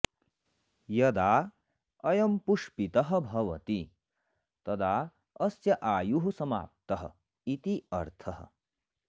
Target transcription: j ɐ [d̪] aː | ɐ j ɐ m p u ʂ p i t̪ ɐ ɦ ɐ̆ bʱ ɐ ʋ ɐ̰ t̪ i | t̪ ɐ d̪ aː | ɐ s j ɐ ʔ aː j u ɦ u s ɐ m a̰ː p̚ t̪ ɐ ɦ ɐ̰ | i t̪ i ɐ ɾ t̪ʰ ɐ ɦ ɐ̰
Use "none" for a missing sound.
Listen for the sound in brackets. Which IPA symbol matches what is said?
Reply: d̪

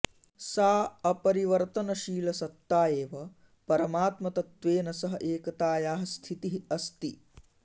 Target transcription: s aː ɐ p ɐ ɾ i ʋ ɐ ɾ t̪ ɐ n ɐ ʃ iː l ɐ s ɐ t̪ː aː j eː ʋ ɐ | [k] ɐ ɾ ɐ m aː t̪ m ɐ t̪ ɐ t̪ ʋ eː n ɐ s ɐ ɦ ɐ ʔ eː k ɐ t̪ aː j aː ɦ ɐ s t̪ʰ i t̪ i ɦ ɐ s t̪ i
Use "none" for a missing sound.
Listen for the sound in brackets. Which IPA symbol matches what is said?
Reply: p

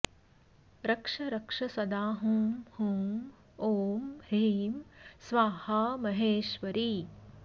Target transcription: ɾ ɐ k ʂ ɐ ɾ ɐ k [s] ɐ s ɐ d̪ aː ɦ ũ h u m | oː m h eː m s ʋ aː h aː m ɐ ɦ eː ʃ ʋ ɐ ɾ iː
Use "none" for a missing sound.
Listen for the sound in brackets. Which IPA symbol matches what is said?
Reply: ʂ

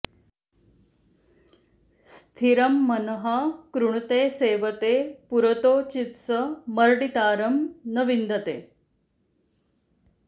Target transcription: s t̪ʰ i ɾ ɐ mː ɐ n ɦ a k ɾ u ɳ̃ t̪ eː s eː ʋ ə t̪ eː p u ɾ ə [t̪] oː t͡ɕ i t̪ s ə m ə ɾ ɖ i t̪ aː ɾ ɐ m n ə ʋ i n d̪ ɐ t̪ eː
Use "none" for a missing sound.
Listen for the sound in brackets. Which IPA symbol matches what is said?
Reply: t̪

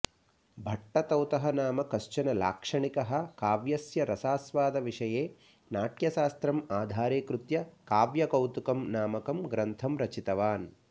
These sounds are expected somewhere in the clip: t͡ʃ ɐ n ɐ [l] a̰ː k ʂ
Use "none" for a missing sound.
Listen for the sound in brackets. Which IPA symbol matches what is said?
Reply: l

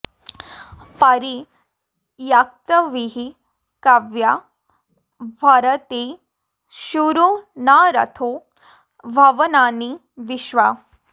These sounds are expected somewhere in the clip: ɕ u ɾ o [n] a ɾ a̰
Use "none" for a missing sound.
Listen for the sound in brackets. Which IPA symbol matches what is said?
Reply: n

